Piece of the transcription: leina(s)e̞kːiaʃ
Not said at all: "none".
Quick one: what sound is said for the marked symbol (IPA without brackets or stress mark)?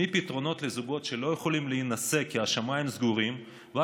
s